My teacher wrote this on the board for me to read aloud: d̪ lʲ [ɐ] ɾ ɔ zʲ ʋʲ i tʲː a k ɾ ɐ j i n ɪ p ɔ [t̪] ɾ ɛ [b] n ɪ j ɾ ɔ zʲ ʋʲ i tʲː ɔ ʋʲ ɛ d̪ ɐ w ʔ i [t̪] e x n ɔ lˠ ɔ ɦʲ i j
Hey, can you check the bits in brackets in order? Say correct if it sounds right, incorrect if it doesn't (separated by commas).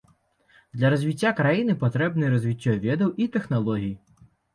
correct, correct, correct, correct